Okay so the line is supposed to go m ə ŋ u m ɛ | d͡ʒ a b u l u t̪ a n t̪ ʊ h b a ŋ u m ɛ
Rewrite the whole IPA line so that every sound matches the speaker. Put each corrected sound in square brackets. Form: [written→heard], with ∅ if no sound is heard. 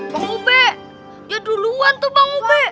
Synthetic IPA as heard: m [ə→a] ŋ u [m→b] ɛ | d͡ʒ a [b→d] u l u [t̪→∅] a n t̪ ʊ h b a ŋ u [m→b] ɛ